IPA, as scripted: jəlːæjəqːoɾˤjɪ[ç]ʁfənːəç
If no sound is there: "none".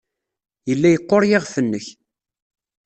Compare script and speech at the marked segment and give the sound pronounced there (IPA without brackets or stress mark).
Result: none